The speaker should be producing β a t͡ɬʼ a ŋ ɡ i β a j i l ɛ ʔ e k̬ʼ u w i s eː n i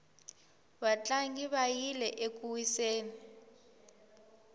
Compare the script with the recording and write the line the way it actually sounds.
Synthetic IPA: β a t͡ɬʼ a ŋ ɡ i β a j i l ɛ ʔ e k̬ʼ u w i s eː n i